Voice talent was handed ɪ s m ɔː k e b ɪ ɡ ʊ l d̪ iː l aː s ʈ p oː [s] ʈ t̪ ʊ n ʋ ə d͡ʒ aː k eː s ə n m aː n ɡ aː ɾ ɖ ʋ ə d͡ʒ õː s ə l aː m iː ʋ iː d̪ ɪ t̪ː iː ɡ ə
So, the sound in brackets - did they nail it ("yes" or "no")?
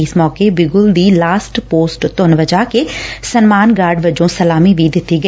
yes